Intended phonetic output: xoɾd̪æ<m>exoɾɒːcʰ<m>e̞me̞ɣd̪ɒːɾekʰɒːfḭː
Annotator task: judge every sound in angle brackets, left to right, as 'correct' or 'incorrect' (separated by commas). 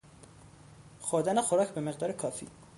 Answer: incorrect, incorrect